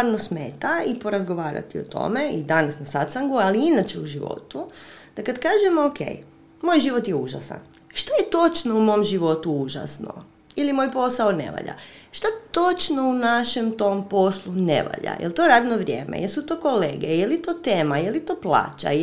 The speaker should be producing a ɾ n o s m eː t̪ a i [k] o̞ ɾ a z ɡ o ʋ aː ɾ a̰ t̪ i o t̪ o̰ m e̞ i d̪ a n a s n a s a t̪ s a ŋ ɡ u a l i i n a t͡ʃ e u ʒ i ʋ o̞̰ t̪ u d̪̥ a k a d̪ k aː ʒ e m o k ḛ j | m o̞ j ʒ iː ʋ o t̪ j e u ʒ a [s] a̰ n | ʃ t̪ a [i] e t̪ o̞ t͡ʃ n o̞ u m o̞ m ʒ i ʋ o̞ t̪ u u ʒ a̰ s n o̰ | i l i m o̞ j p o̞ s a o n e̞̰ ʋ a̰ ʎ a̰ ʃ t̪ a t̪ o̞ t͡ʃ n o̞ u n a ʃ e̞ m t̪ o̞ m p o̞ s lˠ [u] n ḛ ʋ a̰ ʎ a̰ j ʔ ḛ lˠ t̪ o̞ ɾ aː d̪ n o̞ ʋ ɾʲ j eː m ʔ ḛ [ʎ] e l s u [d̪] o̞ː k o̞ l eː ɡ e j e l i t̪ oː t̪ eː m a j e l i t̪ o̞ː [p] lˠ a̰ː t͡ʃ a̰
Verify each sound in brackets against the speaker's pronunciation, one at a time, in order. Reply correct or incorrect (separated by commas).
incorrect, correct, incorrect, correct, incorrect, incorrect, correct